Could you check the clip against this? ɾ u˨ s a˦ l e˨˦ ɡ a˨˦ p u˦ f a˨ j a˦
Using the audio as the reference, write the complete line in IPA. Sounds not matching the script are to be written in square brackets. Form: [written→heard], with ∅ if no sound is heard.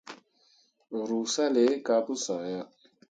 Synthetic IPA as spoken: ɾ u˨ s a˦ l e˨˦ [ɡ→k] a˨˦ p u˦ [f→s] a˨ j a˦